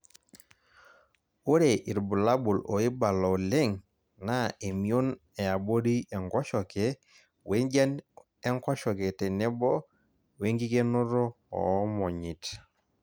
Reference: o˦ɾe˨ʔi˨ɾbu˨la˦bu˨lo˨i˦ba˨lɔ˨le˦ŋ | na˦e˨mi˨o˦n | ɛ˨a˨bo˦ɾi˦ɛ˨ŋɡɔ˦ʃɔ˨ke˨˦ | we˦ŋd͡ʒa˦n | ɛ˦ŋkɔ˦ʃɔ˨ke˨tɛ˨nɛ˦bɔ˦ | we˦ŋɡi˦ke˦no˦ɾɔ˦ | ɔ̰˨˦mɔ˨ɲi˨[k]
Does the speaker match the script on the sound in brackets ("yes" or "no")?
no